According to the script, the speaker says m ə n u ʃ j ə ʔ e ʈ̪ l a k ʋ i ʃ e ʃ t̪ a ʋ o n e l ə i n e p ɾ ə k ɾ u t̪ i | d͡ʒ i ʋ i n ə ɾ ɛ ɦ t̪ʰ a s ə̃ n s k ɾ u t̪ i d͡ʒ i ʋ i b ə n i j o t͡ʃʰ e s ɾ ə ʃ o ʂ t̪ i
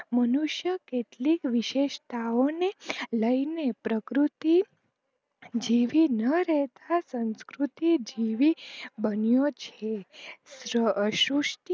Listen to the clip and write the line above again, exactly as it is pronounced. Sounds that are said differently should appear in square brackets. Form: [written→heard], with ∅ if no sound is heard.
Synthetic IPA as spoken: m ə n u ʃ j ə [ʔ→k] e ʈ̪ l [a→i] k ʋ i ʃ e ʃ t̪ a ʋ o n e l ə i n e p ɾ ə k ɾ u t̪ i | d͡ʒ i ʋ i n ə ɾ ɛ ɦ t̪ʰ a s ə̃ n s k ɾ u t̪ i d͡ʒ i ʋ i b ə n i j o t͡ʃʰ e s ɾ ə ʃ [o→u] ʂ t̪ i